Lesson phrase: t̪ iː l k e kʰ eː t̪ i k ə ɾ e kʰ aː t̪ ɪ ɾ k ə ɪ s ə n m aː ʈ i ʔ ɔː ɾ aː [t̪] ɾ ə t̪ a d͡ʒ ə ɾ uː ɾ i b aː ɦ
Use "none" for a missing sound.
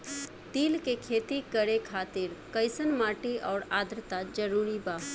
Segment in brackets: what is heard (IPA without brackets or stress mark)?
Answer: d̪